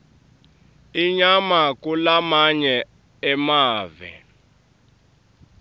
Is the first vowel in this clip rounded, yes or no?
no